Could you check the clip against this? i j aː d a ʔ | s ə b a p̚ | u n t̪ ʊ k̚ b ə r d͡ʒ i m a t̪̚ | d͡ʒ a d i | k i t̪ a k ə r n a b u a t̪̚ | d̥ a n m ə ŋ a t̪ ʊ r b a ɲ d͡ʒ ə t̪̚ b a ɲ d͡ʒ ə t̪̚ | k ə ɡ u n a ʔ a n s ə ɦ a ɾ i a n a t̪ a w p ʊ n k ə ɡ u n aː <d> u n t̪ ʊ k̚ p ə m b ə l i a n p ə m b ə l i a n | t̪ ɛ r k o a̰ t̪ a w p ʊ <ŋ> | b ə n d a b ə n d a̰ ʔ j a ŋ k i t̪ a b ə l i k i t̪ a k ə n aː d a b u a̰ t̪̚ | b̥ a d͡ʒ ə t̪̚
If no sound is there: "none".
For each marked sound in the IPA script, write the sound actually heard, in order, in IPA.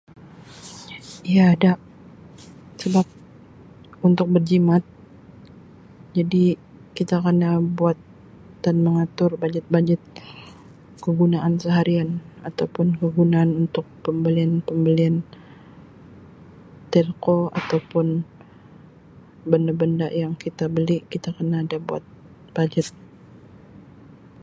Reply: n, n

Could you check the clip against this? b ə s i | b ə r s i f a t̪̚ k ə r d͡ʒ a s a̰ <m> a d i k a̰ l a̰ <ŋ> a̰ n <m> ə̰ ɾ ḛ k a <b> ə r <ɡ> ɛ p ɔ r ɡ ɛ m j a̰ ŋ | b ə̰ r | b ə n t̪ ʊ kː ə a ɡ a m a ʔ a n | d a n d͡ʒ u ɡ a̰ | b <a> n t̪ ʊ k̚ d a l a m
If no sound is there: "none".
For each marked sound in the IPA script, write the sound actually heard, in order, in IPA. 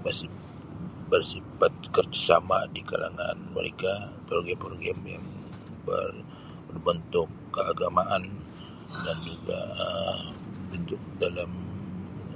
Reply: m, ŋ, m, p, ɡ, ə

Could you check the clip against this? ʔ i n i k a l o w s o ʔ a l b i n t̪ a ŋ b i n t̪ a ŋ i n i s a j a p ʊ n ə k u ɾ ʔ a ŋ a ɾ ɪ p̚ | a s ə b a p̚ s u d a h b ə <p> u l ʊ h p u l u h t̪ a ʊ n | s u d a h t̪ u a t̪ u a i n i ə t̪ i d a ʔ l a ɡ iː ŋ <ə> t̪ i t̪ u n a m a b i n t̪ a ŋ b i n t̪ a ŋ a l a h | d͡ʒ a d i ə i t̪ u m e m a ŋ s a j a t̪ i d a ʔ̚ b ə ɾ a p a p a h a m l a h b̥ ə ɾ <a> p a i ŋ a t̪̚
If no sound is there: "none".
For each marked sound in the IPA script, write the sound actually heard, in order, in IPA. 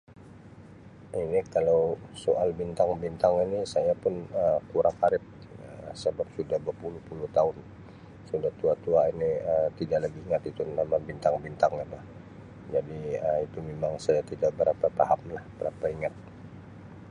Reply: p, a, a

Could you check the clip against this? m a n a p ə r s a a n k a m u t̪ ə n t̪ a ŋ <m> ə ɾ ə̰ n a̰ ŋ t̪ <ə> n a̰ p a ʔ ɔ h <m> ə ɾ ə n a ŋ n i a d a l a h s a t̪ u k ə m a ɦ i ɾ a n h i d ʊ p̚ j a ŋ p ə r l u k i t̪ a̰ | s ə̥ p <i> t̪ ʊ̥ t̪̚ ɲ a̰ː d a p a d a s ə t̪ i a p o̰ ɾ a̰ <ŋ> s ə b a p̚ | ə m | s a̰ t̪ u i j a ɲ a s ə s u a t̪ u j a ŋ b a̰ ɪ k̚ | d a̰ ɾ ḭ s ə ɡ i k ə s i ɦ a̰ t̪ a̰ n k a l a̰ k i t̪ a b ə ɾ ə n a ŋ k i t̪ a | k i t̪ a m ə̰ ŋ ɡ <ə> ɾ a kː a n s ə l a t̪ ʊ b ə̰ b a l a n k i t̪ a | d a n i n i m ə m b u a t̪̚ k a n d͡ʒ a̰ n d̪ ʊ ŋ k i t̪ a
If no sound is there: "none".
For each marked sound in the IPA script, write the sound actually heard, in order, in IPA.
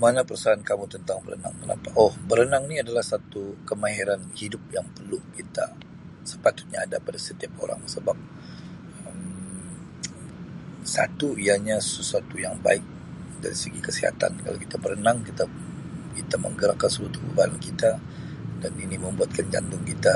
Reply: b, ə, b, a, ŋ, ə

